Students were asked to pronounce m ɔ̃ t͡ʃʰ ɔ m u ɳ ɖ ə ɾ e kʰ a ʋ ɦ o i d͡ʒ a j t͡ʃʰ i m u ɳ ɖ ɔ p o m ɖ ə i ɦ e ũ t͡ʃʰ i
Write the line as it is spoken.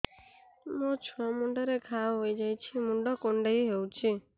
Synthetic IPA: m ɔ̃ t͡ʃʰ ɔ m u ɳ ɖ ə ɾ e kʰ a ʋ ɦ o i d͡ʒ a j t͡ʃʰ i m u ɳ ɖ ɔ k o ɳ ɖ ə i ɦ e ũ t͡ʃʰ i